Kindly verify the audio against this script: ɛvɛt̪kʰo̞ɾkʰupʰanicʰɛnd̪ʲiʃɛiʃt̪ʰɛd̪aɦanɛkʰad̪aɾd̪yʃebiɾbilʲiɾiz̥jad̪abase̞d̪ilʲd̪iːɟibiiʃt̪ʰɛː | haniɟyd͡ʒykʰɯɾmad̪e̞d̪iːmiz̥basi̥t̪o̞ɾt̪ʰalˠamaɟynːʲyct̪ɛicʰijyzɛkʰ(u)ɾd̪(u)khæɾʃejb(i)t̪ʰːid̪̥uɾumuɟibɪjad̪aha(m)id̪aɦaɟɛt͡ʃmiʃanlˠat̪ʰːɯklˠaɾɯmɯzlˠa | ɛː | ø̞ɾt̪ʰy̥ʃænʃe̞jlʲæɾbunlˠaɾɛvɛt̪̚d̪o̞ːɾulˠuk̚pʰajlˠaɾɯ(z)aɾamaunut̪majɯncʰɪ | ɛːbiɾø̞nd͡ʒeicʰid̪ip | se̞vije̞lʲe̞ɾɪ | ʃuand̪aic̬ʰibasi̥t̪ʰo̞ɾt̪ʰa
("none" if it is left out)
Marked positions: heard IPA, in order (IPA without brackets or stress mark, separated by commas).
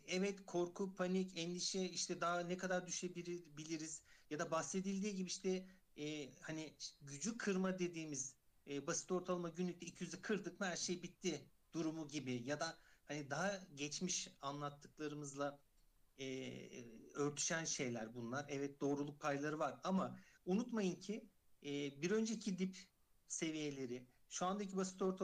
ɯ, ɯ, i, n, v